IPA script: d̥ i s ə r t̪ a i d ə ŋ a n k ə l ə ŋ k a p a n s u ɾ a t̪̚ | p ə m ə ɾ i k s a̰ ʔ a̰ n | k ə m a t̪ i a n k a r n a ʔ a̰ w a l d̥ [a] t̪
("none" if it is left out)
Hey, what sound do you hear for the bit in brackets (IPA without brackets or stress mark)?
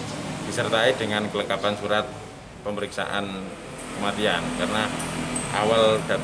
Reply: a